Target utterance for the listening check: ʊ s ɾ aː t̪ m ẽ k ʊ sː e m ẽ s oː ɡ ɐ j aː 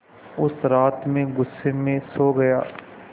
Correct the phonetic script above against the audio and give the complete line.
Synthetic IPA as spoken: ʊ s ɾ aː t̪ m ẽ ɡ ʊ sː e m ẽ s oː ɡ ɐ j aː